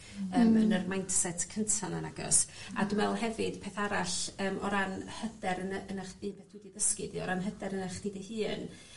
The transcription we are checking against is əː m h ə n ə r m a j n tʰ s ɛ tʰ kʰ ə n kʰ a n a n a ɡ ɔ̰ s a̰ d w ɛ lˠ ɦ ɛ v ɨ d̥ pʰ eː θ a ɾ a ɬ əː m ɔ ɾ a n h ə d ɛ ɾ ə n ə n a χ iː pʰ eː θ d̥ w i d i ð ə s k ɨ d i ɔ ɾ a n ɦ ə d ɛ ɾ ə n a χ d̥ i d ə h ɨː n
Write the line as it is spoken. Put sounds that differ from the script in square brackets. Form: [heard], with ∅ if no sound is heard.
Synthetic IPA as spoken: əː m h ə n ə r m a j n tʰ s ɛ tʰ kʰ ə n [tʰ] a n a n a ɡ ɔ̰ s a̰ d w ɛ lˠ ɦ ɛ v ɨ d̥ pʰ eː θ a ɾ a ɬ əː m ɔ ɾ a n h ə d ɛ ɾ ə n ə n a χ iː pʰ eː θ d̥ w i d i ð ə s k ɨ d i ɔ ɾ a n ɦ ə d ɛ ɾ ə n a χ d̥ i d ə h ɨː n